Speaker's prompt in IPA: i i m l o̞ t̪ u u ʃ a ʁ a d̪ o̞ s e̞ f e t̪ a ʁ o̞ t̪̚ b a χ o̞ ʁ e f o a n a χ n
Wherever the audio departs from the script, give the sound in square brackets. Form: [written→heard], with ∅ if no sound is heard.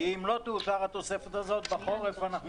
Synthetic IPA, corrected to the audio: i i m l o̞ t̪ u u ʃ a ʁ a [d̪→t̪] o̞ s e̞ f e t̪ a [ʁ→z] o̞ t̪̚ b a χ o̞ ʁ e f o a n a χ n